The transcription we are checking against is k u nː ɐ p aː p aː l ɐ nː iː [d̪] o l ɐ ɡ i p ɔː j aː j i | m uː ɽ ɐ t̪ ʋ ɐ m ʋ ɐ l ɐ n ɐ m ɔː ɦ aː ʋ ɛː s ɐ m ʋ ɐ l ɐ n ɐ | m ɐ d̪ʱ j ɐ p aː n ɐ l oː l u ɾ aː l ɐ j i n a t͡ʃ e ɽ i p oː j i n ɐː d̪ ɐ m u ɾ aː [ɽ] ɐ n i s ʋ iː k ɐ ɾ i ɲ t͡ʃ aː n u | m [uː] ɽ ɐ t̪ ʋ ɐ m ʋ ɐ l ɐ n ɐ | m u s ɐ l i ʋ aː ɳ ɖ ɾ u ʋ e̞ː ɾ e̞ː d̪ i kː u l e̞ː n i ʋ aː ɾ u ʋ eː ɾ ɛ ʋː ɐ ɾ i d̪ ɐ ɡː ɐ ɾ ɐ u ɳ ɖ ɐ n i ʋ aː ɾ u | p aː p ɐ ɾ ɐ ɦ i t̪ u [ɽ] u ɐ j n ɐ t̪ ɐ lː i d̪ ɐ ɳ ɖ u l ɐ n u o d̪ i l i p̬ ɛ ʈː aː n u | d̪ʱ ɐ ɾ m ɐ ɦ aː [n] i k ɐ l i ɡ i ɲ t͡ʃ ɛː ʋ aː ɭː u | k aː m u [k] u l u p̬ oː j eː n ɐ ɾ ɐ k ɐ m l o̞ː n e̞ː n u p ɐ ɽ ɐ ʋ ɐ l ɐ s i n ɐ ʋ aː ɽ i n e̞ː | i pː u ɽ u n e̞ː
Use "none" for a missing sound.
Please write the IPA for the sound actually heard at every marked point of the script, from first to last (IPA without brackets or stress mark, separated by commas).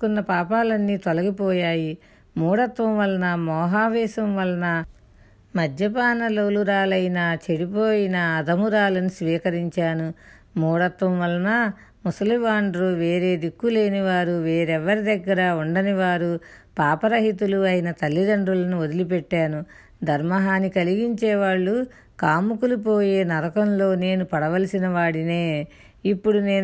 t̪, l, uː, l, n, k